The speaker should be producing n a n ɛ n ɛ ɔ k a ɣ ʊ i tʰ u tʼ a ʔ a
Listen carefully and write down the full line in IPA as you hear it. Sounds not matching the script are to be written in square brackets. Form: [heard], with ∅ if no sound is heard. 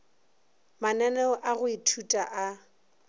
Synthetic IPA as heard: [m] a n ɛ n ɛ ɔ [ʔ] a ɣ ʊ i tʰ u tʼ a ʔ a